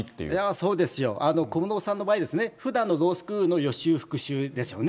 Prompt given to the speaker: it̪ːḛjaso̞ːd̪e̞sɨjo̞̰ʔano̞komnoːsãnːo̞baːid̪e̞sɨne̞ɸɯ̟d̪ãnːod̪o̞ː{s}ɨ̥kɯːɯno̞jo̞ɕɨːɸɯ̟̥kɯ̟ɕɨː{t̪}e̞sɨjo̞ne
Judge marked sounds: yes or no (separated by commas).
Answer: yes, no